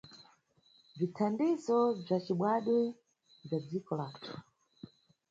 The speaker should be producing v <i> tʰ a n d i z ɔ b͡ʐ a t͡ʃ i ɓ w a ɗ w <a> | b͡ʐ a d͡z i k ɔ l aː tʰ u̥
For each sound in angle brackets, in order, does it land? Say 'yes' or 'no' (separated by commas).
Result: yes, no